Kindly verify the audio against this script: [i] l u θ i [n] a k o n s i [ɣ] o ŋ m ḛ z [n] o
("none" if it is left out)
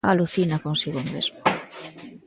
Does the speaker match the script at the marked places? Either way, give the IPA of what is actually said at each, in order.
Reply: a, n, ɣ, m

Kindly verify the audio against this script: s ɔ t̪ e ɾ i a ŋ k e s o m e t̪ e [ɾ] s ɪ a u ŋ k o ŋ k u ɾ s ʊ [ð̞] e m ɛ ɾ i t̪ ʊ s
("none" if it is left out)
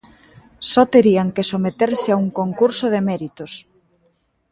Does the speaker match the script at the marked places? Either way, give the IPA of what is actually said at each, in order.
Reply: ɾ, ð̞

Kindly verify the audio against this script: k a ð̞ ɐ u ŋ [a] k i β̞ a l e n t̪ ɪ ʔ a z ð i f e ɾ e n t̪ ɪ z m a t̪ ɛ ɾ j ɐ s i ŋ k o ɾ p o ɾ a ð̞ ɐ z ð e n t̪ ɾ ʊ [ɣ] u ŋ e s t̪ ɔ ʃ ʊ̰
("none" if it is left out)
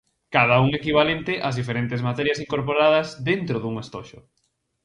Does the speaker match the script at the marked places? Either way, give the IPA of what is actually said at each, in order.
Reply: e, ð

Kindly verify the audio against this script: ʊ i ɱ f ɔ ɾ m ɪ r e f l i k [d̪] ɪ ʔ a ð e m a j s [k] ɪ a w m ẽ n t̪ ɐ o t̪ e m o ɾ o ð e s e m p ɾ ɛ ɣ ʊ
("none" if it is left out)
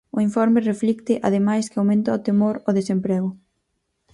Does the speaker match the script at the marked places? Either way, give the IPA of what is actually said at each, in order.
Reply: t̪, k

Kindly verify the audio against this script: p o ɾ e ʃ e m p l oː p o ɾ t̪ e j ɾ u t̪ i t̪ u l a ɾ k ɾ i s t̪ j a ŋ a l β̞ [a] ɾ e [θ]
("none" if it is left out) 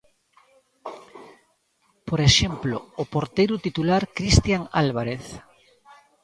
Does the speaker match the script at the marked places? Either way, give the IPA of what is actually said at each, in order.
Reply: a, θ

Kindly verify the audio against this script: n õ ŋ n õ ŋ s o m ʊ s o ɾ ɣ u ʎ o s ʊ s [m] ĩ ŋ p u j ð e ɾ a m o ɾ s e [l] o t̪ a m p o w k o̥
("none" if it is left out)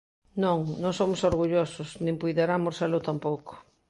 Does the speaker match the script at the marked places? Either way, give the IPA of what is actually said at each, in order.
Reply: n, l

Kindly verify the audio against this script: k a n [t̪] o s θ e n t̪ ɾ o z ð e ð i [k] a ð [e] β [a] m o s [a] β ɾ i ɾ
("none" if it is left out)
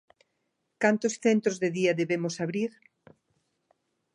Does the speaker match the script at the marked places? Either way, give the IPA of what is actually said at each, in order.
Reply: t̪, none, e, e, a

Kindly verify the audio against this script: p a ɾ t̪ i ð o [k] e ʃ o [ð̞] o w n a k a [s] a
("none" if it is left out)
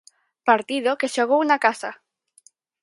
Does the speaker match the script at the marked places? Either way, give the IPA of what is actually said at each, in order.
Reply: k, ɣ̞, s

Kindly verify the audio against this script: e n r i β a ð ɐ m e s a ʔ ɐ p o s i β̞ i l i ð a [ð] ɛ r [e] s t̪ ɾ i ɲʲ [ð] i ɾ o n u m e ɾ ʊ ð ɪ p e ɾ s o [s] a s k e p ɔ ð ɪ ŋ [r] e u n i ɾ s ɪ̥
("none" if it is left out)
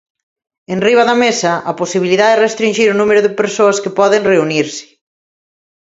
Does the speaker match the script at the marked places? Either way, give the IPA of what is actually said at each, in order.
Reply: ð, e, ʒ, none, r

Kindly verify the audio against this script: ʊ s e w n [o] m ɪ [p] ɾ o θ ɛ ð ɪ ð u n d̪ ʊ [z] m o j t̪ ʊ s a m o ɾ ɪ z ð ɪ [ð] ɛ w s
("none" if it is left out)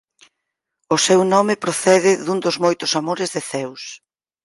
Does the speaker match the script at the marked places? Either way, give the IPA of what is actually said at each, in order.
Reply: ɔ, p, z, θ

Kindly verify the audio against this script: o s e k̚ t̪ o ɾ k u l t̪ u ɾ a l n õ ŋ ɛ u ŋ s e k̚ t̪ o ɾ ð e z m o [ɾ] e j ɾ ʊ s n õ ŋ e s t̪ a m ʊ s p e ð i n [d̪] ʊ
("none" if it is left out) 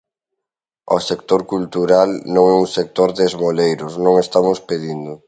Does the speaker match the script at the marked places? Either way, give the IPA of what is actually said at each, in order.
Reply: l, d̪

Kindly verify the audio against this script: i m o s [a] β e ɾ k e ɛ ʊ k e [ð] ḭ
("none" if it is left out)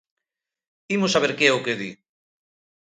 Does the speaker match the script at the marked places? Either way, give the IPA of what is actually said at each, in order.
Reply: a, ð

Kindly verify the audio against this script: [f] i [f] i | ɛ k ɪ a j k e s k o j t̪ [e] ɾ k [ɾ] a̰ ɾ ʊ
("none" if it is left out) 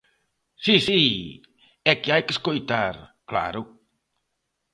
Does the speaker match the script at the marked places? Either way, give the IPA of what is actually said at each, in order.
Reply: s, s, a, l

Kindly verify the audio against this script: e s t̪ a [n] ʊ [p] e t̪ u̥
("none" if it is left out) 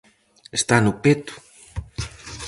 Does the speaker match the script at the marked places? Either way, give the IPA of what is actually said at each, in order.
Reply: n, p

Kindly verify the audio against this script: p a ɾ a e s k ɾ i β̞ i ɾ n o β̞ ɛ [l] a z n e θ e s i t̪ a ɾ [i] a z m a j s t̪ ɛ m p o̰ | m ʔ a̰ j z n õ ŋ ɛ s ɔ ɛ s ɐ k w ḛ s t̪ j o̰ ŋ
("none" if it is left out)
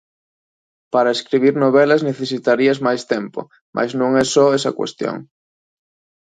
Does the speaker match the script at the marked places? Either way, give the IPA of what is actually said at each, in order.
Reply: l, i

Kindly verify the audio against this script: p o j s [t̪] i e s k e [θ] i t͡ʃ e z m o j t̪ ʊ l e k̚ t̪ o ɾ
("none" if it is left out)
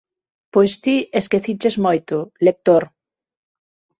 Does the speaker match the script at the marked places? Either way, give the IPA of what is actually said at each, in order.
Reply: t̪, θ

